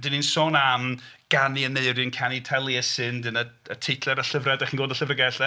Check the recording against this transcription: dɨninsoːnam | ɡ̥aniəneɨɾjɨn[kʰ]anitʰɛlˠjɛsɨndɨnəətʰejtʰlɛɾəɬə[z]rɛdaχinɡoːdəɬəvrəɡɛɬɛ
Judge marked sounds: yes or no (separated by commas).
yes, no